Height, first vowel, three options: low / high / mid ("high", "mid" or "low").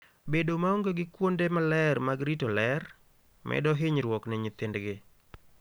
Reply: mid